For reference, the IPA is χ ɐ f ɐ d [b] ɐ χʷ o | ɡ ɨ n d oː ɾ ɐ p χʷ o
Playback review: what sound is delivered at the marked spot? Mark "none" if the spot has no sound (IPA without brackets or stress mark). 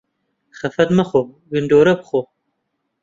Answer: m